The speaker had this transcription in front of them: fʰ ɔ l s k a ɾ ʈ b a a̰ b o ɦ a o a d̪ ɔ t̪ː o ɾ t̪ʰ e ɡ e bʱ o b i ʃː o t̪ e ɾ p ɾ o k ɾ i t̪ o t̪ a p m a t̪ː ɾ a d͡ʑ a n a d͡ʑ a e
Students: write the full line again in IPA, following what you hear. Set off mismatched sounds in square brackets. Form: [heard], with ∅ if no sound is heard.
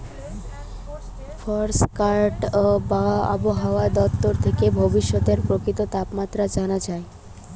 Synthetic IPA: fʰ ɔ [ɾ] s k a ɾ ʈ b a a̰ b o ɦ a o a d̪ ɔ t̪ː o ɾ t̪ʰ e [k] e bʱ o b i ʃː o t̪ e ɾ p ɾ o k ɾ i t̪ o t̪ a p m a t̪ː ɾ a d͡ʑ a n a d͡ʑ a e